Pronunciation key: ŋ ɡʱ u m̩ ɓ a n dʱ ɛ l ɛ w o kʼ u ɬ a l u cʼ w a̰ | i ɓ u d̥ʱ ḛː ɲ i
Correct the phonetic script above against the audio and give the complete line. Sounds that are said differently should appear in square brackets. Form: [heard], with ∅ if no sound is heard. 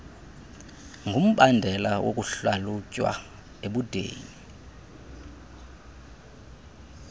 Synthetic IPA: ŋ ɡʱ u m̩ ɓ a n dʱ ɛ l [a] w o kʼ u ɬ a l u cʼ w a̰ | [e] ɓ u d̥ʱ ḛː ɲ i